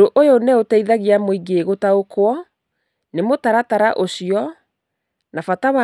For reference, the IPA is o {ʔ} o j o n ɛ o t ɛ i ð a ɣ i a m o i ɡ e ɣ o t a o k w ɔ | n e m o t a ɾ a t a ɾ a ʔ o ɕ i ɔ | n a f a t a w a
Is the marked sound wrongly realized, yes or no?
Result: no